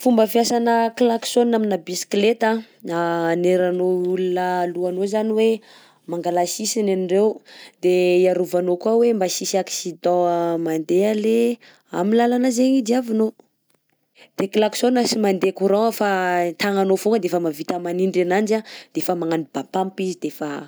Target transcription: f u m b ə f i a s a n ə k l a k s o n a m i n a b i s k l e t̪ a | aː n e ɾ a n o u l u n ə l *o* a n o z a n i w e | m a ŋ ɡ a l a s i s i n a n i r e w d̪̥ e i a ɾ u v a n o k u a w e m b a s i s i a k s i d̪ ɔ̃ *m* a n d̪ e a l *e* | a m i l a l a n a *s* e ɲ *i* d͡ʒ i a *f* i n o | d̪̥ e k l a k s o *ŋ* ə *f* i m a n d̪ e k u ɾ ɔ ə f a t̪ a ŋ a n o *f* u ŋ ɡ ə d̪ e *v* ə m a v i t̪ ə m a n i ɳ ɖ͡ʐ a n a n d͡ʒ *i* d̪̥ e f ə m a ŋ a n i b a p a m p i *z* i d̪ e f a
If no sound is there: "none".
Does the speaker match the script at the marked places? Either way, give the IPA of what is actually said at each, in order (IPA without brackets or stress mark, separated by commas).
u, m, e, z, i, v, n, s, f, f, a, z